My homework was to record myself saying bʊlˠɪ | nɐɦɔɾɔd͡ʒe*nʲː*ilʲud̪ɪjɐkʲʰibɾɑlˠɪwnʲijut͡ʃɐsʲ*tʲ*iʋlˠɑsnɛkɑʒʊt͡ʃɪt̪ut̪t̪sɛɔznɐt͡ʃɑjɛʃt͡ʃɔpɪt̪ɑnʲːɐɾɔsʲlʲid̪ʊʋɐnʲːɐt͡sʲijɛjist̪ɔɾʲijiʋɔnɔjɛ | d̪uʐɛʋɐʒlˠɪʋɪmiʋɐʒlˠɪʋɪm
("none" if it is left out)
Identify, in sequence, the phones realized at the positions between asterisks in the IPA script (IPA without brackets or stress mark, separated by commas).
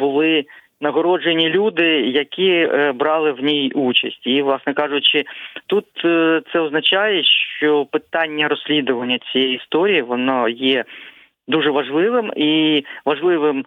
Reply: nʲ, tʲ